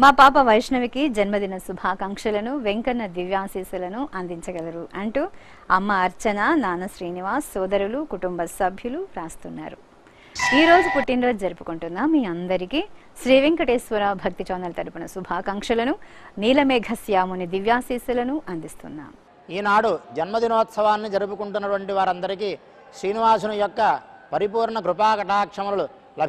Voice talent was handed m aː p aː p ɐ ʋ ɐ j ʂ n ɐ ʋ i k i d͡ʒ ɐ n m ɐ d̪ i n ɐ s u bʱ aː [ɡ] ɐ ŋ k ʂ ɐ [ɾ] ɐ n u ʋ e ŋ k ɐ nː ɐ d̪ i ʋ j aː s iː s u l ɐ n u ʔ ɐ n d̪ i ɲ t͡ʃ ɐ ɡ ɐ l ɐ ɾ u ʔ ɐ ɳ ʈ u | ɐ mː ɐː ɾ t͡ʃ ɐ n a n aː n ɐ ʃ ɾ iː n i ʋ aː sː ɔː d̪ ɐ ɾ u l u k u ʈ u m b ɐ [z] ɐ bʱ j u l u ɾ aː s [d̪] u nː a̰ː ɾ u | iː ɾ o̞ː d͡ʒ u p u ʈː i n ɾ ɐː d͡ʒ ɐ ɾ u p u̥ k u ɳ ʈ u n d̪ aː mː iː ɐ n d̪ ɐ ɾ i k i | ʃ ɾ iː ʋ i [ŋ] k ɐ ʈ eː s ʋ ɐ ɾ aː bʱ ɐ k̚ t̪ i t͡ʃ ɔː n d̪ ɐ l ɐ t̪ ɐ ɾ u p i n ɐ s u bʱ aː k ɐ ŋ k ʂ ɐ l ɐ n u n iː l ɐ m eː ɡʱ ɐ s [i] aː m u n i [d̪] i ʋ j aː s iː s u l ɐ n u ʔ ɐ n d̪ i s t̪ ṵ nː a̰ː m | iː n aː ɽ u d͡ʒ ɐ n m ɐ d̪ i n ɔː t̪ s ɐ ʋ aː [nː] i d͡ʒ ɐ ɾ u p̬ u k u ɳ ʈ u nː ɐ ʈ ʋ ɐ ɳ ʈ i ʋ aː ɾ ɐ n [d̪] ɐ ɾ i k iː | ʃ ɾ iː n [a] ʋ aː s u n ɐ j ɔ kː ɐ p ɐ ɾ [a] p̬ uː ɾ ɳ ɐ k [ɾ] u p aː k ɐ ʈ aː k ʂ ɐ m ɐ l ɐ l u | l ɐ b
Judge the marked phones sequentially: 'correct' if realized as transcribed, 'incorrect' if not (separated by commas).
incorrect, incorrect, incorrect, incorrect, correct, incorrect, correct, correct, correct, incorrect, incorrect, correct